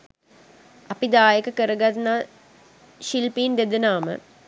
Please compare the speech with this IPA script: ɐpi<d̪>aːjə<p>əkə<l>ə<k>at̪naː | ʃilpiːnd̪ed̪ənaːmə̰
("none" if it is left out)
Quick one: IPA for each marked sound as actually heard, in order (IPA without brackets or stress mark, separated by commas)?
d̪, k, ɾ, ɡ